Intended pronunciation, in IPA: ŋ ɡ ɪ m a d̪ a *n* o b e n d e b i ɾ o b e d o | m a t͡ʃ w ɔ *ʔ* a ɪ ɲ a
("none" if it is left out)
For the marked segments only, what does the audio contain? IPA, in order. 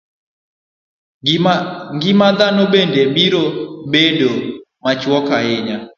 n, k

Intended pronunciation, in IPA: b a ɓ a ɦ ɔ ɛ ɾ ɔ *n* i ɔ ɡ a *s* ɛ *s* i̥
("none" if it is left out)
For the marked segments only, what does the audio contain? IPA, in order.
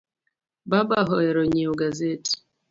ɲ, z, t

